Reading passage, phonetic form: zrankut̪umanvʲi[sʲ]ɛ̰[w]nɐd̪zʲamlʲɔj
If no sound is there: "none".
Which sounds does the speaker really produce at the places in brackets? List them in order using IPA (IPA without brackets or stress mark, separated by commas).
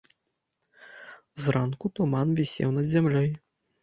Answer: sʲ, w